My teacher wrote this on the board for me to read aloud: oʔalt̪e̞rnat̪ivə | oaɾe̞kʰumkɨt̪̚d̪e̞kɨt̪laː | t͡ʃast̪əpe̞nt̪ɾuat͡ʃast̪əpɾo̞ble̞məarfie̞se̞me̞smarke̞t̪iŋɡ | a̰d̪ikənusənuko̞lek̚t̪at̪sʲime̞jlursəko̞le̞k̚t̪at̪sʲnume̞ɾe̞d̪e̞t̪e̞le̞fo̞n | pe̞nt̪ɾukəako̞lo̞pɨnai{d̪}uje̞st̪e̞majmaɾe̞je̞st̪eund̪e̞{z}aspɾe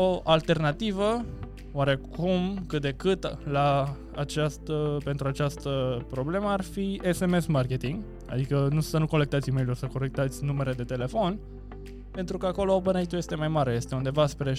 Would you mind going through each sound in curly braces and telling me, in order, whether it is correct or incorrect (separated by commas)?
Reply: incorrect, incorrect